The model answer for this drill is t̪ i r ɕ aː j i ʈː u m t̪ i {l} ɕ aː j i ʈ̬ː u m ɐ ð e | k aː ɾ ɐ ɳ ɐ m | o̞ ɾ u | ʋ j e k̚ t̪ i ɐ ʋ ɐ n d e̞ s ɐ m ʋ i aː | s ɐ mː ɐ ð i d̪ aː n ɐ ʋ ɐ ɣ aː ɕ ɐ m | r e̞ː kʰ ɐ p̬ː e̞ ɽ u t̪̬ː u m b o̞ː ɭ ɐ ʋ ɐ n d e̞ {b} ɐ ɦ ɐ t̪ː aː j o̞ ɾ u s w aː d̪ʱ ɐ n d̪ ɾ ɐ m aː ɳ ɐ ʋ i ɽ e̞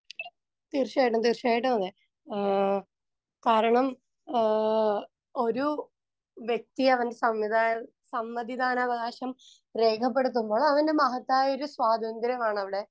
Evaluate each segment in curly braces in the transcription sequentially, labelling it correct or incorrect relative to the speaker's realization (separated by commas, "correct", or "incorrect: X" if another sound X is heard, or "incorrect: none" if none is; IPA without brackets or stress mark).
incorrect: r, incorrect: m